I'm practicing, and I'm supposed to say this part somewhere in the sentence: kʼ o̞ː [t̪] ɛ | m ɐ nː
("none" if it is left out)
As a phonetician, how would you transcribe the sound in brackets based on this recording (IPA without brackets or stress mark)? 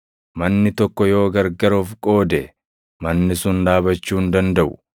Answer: d̪